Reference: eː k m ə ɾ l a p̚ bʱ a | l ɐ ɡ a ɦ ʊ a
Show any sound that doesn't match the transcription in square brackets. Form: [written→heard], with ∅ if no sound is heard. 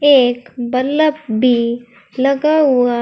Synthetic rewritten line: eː k [m→b] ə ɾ l [a→ə] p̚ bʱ [a→i] | l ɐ ɡ a ɦ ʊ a